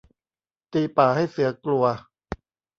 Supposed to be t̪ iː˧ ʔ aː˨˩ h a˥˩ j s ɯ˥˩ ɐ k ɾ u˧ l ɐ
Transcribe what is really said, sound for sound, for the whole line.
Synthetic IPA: t̪ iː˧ p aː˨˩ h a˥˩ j s ɯ˩˦ ɐ k l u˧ ɐ

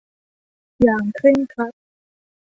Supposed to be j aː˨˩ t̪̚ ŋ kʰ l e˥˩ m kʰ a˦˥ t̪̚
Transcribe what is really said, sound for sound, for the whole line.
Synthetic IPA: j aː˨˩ ŋ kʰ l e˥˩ ŋ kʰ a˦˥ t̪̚

